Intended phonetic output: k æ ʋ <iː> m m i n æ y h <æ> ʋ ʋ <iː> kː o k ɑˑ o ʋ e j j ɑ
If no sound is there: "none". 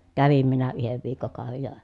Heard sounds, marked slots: i, e, iː

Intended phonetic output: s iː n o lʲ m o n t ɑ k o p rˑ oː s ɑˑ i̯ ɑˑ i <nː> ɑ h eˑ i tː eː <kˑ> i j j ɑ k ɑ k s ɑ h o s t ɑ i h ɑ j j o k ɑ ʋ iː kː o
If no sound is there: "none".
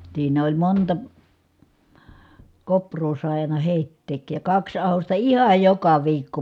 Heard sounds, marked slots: n, kˑ

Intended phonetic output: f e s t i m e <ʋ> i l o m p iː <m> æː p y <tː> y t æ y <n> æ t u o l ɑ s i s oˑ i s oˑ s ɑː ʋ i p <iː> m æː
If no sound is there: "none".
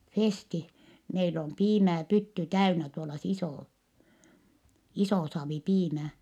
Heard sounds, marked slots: none, m, tː, n, iː

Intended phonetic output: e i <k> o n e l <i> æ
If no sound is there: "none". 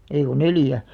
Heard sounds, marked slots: k, j

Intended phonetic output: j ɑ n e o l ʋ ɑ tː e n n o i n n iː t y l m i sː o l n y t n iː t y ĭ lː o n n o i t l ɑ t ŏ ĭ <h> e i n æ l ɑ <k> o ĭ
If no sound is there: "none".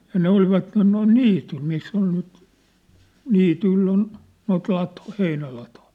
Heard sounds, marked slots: h, t

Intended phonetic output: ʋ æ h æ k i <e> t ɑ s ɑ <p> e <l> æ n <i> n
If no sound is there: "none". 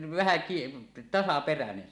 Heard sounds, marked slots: e, p, r, e

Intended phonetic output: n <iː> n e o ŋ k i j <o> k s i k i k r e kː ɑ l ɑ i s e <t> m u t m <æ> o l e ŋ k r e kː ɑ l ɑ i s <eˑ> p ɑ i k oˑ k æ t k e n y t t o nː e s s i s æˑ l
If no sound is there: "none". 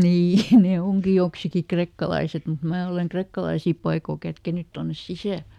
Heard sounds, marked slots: iː, o, t, æː, iˑ

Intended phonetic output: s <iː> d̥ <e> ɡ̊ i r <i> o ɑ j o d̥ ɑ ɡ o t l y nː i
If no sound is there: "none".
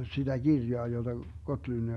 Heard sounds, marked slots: i, æ, j

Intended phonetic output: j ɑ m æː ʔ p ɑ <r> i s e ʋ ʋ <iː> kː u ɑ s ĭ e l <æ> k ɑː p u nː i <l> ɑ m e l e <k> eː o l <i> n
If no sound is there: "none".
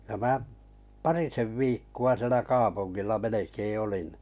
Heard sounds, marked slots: r, iː, æ, lː, k, i

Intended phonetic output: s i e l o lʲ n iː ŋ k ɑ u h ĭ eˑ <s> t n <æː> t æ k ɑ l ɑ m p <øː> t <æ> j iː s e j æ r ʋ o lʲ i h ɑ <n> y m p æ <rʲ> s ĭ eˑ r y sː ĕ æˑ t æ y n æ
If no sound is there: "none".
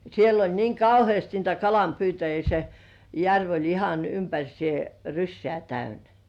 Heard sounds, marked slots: s, iː, yː, æ, n, rʲ

